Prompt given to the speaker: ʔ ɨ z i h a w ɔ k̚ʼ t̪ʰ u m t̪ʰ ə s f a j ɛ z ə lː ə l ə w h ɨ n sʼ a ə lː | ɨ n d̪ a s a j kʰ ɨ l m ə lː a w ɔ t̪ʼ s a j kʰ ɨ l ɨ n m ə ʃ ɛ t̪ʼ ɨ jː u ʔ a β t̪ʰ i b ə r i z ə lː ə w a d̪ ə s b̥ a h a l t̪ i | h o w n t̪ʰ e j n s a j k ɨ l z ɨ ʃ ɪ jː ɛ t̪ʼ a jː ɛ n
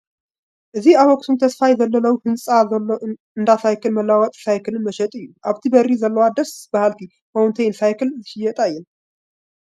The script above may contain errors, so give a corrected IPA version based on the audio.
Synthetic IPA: ʔ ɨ z i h a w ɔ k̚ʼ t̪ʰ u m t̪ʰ ə s f a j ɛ z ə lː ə l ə w h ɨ n sʼ a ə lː | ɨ n d̪ a s a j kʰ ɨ l m ə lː a w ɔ t̪ʼ s a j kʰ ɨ l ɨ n m ə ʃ ɛ t̪ʼ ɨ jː u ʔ a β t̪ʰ i b ə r i z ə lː ə w a d̪ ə s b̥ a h a l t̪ i | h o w n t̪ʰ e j n s a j k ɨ l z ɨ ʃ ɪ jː ɛ t̪ʼ a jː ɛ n